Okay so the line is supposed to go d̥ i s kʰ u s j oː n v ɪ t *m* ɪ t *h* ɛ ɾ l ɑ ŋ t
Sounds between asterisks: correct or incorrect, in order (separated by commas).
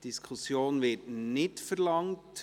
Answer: incorrect, incorrect